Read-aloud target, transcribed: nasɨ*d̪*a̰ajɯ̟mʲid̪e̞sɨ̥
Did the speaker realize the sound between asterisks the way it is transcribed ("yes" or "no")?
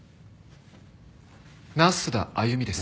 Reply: yes